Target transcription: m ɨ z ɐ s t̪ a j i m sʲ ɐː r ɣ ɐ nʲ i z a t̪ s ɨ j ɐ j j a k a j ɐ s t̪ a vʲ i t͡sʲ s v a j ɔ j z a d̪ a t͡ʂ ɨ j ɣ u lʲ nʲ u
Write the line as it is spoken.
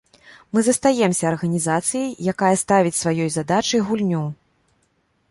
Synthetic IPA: m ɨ z ɐ s t̪ a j ɛ m sʲ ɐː r ɣ ɐ nʲ i z a t̪ s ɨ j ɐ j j a k a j ɐ s t̪ a vʲ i t͡sʲ s v a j ɔ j z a d̪ a t͡ʂ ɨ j ɣ u lʲ nʲ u